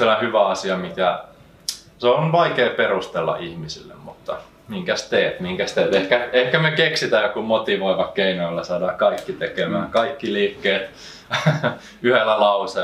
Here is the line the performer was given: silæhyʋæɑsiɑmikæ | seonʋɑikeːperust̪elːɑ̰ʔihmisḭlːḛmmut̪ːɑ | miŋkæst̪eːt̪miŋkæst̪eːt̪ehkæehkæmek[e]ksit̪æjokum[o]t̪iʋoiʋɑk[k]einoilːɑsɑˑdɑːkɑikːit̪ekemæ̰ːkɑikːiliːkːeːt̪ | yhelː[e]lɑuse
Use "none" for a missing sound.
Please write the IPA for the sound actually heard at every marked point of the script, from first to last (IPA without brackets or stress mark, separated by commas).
e, o, k, æ